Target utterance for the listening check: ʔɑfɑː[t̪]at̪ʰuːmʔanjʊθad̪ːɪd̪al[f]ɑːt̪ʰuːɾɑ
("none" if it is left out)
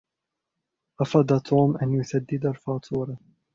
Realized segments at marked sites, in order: d̪, f

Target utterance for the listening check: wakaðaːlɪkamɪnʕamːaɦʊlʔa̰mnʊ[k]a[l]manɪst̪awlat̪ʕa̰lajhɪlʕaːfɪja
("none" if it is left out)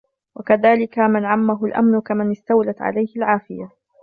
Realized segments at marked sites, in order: k, none

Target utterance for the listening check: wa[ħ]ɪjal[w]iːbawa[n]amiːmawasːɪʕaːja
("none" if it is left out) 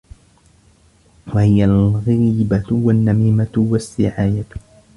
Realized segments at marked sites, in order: h, ɣ, nː

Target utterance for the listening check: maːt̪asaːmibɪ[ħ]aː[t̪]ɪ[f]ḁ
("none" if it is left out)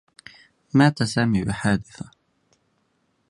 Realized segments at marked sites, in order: ħ, d̪, θ

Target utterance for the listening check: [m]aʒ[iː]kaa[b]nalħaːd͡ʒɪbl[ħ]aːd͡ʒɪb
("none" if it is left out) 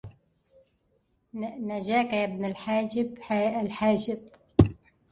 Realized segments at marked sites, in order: n, aː, b, ħ

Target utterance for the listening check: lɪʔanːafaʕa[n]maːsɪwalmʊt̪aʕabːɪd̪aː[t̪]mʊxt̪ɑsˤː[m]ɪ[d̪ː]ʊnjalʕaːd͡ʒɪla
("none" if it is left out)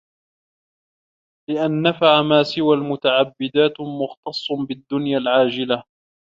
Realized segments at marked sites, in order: none, t̪, b, d̪ː

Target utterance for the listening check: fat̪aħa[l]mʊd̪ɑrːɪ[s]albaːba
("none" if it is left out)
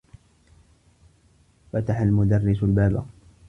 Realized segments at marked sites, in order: l, s

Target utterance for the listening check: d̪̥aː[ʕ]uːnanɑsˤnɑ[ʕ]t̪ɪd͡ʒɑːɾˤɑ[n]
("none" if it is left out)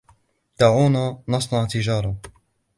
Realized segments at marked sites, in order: ʕ, ʕ, none

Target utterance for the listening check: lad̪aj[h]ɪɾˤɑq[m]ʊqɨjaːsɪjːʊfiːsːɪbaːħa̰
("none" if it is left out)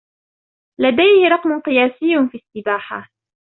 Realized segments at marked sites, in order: h, m

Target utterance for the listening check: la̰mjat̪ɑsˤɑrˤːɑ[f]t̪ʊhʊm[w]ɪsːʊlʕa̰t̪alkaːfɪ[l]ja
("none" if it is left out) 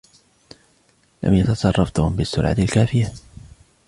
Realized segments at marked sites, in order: f, b, none

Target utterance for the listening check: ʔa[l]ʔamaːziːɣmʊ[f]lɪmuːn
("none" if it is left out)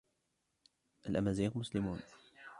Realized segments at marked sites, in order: l, s

